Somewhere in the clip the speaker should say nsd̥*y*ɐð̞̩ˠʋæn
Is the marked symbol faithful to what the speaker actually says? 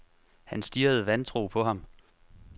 no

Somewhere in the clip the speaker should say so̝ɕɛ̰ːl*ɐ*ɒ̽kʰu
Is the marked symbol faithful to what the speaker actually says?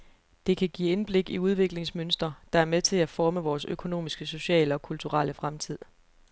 no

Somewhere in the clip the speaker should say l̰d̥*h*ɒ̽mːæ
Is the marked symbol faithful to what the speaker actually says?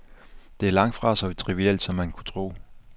no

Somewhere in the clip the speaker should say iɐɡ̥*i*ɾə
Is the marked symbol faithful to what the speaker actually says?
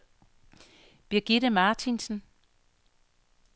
yes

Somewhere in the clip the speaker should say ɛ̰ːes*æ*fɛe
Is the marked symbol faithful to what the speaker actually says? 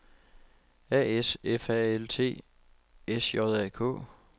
no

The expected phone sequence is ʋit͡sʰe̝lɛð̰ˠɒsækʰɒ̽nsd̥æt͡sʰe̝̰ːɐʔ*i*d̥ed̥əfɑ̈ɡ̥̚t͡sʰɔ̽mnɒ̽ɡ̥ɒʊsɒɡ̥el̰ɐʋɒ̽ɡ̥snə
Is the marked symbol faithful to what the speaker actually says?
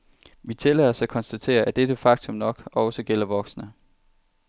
no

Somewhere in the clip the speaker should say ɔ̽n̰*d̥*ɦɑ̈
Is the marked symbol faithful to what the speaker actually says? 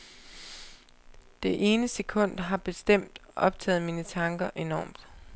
yes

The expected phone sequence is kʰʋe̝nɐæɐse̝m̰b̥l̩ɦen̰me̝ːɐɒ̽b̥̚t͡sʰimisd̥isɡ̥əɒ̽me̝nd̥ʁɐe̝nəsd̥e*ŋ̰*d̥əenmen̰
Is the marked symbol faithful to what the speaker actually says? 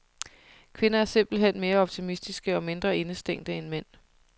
yes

